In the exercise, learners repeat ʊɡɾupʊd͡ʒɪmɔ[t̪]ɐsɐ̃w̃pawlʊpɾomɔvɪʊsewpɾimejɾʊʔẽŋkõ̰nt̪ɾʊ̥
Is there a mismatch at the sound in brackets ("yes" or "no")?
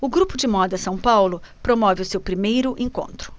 yes